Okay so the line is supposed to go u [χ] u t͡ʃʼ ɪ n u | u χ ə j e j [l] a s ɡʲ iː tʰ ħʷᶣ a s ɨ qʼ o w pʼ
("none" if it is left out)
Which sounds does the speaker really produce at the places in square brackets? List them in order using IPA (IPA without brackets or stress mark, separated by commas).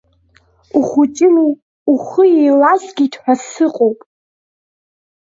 χ, l